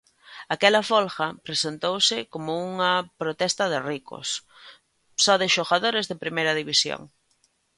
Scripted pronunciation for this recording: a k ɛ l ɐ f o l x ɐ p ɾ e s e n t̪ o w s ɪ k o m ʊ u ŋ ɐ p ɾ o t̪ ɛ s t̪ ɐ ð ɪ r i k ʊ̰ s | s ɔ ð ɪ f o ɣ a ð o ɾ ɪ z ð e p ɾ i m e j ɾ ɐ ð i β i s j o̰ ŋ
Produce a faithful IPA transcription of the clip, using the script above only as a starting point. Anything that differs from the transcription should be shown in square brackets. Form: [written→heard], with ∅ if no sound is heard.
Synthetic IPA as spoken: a k ɛ l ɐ f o l x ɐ p ɾ e s e n t̪ o w s ɪ k o m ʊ u ŋ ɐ p ɾ o t̪ ɛ s t̪ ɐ ð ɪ r i k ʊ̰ s | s ɔ ð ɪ [f→ʃ] o ɣ a ð o ɾ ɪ z ð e p ɾ i m e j ɾ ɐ ð i β i s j o̰ ŋ